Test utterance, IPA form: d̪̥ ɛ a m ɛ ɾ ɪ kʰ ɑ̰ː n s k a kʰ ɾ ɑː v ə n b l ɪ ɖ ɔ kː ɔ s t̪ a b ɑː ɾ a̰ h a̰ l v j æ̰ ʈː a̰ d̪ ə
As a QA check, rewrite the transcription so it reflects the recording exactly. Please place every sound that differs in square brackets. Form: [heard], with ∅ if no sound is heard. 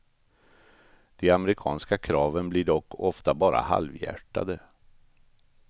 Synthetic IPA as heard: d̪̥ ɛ a m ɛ ɾ ɪ kʰ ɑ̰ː n s k a kʰ ɾ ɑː v ə n b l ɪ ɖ ɔ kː ɔ [f] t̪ a b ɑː ɾ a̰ h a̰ l v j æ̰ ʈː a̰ d̪ ə